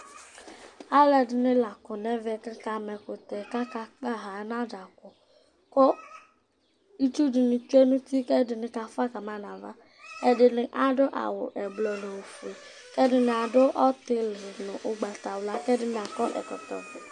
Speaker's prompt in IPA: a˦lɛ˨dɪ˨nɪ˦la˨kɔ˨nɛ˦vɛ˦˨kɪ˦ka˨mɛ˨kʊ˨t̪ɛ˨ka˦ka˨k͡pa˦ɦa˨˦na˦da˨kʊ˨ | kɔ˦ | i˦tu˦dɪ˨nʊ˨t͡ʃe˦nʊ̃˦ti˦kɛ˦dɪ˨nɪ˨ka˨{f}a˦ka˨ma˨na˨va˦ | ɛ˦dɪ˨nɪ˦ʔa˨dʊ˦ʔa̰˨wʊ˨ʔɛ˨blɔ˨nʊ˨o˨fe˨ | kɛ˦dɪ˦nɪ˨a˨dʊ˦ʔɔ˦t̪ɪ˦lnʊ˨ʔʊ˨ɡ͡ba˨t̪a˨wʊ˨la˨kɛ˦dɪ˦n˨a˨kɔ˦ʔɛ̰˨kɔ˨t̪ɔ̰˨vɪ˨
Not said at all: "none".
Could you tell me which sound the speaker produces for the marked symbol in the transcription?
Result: f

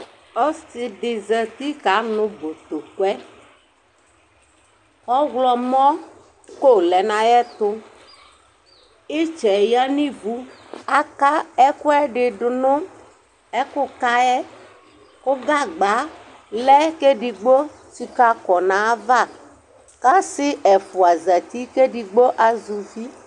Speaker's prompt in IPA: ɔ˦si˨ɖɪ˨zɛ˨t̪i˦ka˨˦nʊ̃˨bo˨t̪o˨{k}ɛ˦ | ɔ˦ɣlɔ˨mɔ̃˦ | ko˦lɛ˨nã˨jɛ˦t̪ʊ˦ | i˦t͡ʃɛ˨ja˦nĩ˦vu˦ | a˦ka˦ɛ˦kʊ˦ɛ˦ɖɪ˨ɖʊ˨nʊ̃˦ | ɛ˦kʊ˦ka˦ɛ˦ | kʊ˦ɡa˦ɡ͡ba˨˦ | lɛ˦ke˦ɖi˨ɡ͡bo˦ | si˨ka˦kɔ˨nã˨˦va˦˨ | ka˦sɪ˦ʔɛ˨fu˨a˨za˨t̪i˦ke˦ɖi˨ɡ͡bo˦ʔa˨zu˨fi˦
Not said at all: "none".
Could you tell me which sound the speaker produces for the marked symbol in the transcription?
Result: k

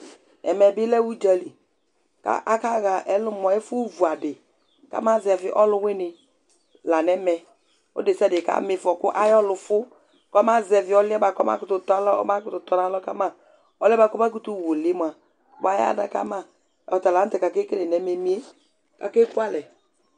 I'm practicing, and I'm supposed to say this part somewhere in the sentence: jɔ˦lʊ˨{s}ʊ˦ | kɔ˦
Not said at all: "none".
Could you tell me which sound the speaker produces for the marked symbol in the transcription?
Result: f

